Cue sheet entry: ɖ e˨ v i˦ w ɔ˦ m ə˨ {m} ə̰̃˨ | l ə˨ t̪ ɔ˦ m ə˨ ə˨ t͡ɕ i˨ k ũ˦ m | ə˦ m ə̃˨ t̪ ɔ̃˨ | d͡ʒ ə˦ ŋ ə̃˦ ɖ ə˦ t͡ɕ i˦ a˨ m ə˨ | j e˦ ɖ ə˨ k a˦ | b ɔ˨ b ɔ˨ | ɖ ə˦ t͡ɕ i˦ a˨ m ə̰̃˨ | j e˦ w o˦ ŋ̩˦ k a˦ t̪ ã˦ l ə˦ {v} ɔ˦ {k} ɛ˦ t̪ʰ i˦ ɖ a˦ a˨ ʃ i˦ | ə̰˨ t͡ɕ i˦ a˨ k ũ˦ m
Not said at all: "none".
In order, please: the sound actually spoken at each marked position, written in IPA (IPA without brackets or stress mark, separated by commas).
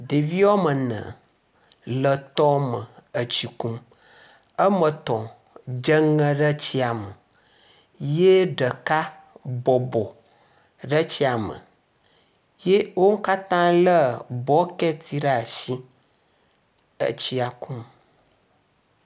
n, b, k